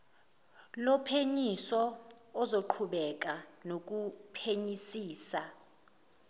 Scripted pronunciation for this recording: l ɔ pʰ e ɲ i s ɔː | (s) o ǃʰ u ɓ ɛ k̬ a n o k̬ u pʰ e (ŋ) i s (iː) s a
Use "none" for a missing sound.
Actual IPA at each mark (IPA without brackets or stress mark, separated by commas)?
z, ɲ, iː